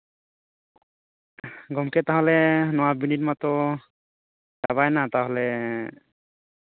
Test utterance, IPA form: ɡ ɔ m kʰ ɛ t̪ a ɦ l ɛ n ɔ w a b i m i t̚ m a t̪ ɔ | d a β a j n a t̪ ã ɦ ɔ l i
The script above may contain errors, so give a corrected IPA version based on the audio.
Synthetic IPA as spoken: ɡ ɔ m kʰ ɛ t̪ a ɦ l ɛ n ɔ w a b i n i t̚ m a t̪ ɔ | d a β a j n a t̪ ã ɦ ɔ l ɛ